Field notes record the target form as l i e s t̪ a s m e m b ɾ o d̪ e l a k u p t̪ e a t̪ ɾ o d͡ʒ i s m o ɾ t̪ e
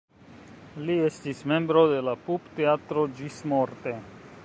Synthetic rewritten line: l i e s t̪ i s m e m b ɾ o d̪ e l a p u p t̪ e a t̪ ɾ o d͡ʒ i s m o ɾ t̪ e

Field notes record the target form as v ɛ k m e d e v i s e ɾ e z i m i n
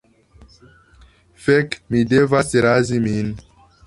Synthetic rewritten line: f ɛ k m i d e v a s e ɾ a z i m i n

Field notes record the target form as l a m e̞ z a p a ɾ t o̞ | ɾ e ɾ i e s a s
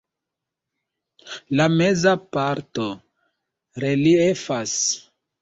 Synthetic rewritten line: l a m e̞ z a p a ɾ t o̞ | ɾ e l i e f a s

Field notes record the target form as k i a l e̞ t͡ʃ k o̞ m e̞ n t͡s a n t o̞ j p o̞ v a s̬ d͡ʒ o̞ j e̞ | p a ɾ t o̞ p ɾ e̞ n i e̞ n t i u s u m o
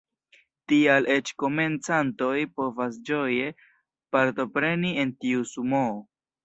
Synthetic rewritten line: t i a l e̞ t͡ʃ k o̞ m e̞ n t͡s a n t o̞ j p o̞ v a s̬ d͡ʒ o̞ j e̞ | p a ɾ t o̞ p ɾ e̞ n i e̞ n t i u s u m o

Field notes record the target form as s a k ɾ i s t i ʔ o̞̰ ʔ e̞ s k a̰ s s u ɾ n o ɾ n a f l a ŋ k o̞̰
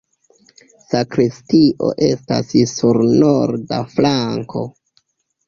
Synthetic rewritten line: s a k ɾ i s t i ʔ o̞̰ ʔ e̞ s t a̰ s s u ɾ n o ɾ d a f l a ŋ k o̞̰

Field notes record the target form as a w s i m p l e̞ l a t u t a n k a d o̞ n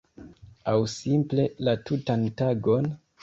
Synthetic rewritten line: a w s i m p l e̞ l a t u t a n t a ɡ o̞ n

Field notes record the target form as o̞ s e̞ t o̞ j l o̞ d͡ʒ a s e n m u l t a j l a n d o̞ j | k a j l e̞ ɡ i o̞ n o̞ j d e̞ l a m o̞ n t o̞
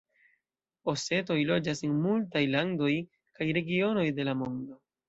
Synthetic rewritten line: o̞ s e̞ t o̞ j l o̞ d͡ʒ a s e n m u l t a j l a n d o̞ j | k a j ɾ e̞ ɡ i o̞ n o̞ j d e̞ l a m o̞ n d o̞

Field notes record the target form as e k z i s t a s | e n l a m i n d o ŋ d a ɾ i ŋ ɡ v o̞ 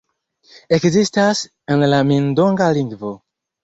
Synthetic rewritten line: e k z i s t a s | e n l a m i n d o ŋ ɡ a l i ŋ ɡ v o̞

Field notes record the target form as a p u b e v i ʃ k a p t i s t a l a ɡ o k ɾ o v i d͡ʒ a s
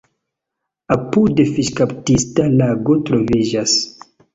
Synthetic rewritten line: a p u d e f i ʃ k a p t i s t a l a ɡ o t ɾ o v i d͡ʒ a s

